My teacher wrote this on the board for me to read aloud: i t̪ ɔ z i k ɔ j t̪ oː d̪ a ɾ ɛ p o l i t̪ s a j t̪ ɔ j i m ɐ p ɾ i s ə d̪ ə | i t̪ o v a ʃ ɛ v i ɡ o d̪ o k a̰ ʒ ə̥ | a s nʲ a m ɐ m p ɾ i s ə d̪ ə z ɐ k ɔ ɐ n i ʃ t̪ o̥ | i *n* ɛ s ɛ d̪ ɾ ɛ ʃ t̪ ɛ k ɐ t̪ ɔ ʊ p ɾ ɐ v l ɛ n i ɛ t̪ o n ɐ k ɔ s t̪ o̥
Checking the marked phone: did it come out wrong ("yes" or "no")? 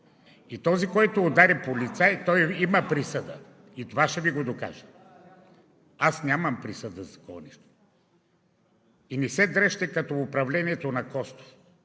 no